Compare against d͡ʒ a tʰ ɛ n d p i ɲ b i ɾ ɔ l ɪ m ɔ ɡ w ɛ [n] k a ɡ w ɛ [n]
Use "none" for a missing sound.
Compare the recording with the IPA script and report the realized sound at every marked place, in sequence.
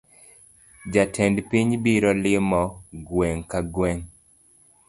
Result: ŋ, ŋ

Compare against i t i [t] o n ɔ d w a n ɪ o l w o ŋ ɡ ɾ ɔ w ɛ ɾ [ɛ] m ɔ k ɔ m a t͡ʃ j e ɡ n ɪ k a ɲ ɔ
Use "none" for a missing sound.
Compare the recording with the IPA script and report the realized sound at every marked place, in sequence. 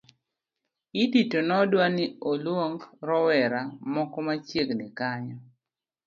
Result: t, a

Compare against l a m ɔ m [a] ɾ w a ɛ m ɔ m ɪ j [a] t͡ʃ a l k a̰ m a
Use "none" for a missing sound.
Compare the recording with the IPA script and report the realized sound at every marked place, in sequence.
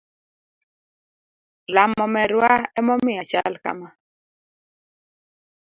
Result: ɛ, a

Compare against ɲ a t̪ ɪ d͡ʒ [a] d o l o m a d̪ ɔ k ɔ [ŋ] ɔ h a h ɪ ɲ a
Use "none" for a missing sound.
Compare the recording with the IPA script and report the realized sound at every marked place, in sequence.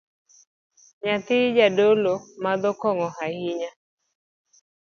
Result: a, ŋ

